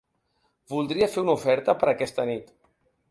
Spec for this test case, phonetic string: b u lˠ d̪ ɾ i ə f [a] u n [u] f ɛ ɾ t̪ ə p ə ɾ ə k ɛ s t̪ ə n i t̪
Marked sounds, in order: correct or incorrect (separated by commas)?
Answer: incorrect, correct